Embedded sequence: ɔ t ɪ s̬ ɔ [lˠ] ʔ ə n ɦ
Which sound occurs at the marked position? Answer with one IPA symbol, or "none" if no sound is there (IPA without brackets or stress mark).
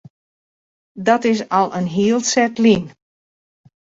lˠ